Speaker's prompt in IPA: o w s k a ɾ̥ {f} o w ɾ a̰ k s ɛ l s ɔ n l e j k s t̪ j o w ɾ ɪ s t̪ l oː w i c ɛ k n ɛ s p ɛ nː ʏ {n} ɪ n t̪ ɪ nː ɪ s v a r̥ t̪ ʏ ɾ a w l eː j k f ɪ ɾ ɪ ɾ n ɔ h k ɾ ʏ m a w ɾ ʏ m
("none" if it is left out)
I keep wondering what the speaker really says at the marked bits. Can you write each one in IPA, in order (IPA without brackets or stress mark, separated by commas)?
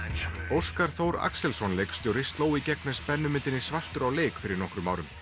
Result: θ, m